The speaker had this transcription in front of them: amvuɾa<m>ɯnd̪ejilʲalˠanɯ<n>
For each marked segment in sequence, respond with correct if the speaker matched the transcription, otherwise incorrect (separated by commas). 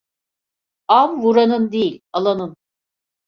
incorrect, correct